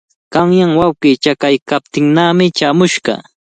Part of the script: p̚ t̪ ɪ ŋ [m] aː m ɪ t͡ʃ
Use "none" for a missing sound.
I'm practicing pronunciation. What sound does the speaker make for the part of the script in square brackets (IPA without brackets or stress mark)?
n